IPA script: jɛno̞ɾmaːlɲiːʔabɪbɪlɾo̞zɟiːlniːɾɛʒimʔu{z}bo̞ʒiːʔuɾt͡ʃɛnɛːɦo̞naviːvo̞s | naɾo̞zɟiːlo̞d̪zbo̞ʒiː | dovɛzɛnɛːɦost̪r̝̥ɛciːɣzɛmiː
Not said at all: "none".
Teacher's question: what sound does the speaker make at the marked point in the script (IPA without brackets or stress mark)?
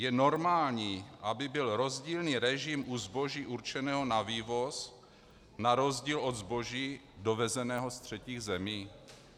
z